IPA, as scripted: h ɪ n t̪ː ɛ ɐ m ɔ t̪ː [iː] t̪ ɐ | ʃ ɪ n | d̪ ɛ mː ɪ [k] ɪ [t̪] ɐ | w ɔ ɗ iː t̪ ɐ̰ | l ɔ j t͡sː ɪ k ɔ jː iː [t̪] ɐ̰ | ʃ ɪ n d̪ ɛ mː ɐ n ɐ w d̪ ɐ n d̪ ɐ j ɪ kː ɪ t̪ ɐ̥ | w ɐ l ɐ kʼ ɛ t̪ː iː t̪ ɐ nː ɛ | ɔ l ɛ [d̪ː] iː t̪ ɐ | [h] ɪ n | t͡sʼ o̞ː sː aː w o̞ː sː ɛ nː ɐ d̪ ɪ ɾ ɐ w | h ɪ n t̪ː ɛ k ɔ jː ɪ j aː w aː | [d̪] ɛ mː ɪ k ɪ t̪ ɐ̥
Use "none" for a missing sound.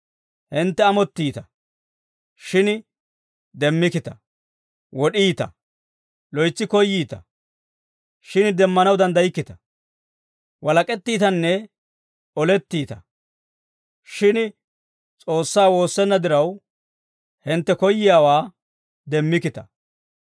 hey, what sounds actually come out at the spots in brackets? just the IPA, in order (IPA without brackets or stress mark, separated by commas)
iː, k, t̪, t̪, t̪ː, ʃ, d̪